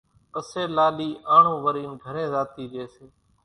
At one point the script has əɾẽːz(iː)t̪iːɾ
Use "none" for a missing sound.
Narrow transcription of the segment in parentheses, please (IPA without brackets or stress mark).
aː